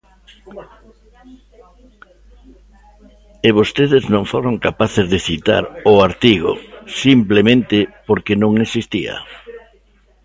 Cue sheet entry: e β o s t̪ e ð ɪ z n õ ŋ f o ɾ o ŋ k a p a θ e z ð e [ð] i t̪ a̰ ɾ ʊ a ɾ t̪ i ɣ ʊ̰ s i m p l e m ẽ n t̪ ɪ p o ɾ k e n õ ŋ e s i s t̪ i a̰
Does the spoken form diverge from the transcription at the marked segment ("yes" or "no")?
yes